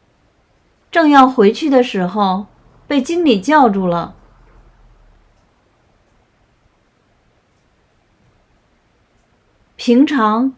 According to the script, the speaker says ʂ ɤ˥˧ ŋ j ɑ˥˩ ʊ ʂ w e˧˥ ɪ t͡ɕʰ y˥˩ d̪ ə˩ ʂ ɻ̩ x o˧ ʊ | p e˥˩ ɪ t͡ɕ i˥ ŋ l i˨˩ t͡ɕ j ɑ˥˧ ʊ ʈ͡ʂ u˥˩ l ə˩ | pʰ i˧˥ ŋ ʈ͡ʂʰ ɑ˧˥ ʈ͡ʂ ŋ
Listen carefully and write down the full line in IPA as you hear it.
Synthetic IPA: ʈ͡ʂ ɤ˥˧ ŋ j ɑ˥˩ ʊ x w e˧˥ ɪ t͡ɕʰ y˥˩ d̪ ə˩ ʂ ɻ̩ x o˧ ʊ | p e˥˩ ɪ t͡ɕ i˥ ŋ l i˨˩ t͡ɕ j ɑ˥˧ ʊ ʈ͡ʂ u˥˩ l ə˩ | pʰ i˧˥ ŋ ʈ͡ʂʰ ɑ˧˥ ŋ